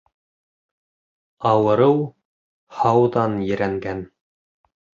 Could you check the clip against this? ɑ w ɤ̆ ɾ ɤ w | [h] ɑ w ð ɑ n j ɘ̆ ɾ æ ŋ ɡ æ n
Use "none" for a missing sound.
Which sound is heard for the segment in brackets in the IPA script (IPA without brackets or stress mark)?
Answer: h